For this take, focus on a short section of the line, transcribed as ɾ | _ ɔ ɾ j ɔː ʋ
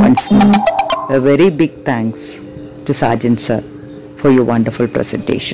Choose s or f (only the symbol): f